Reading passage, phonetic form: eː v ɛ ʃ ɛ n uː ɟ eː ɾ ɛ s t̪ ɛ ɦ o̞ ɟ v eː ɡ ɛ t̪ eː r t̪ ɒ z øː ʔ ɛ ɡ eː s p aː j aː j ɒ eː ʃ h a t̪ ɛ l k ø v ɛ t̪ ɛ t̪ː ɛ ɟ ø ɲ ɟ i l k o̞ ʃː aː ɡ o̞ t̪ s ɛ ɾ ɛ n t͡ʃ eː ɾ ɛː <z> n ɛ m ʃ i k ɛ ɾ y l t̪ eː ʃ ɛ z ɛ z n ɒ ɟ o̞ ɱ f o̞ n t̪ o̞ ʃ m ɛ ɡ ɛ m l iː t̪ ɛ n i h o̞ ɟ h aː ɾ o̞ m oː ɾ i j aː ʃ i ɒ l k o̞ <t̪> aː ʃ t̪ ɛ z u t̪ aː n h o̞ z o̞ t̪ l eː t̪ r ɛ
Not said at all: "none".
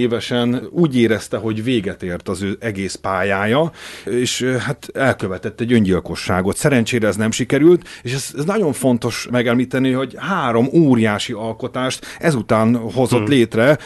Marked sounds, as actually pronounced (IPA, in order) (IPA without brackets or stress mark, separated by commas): z, t̪